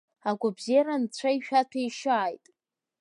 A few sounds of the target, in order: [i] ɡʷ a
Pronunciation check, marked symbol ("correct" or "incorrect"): incorrect